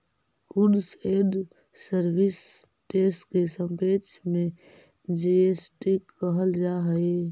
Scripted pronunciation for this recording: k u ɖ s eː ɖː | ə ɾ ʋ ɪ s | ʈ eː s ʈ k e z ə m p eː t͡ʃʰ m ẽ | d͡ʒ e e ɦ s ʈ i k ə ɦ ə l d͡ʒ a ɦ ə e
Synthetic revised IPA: k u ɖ s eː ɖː | ə ɾ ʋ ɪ s | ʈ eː s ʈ k e s ə m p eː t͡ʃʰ m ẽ | d͡ʒ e e s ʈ i k ə ɦ ə l d͡ʒ a ɦ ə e